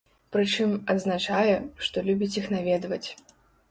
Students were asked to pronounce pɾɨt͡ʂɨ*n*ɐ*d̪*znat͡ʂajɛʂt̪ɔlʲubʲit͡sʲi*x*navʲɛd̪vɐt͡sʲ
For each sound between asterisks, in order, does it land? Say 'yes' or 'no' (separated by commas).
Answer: no, yes, yes